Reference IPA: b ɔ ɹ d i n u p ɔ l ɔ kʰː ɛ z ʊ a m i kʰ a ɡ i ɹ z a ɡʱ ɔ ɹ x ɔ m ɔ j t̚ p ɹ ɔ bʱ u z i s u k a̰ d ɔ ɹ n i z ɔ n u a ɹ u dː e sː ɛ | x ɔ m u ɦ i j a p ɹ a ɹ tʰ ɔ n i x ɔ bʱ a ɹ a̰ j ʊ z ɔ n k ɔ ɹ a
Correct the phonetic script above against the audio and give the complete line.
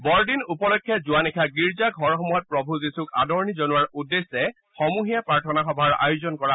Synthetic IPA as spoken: b ɔ ɹ d i n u p ɔ l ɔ kʰː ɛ z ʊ a n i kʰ a ɡ i ɹ z a ɡʱ ɔ ɹ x ɔ m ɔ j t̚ p ɹ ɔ bʱ u z i s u k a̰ d ɔ ɹ n i z ɔ n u a ɹ u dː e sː ɛ | x ɔ m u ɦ i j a p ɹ a ɹ tʰ ɔ n a x ɔ bʱ a ɹ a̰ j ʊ z ɔ n k ɔ ɹ a